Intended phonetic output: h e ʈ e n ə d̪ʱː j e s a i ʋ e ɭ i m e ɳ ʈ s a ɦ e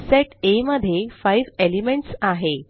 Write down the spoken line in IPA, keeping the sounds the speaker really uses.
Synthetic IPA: s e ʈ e m ə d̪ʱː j e f a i ʋ e l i m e ɳ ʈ s a ɦ e